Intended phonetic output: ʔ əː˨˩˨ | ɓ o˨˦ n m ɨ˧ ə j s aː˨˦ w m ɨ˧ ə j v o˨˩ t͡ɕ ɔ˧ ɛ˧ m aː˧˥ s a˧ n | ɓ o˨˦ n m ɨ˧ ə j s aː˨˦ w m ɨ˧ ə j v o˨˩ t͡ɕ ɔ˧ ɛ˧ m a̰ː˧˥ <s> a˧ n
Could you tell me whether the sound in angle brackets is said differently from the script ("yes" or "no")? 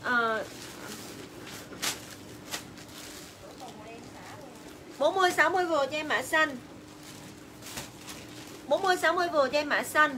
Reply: no